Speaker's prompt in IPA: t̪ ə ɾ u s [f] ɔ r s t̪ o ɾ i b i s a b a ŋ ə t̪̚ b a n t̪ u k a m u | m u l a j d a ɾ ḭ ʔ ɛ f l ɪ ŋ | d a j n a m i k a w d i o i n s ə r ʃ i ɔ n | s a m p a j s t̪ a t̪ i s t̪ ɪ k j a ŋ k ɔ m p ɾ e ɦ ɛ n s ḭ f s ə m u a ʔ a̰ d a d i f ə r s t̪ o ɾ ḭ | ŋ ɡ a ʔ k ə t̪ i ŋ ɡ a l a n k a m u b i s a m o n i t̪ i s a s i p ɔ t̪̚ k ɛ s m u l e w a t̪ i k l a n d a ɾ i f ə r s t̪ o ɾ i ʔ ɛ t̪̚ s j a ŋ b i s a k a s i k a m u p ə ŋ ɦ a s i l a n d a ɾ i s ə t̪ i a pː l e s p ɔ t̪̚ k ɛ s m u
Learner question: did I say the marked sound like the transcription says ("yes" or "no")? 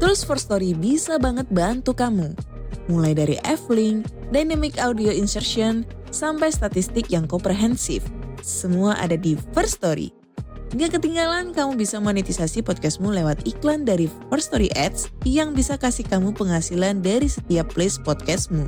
yes